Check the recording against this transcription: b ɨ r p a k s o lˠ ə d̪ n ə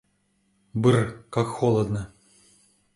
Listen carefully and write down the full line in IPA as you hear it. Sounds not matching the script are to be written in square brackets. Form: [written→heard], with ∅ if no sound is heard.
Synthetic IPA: b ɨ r [p→k] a k [s→x] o lˠ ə d̪ n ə